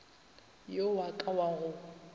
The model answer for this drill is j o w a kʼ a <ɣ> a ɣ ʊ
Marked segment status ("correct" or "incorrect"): incorrect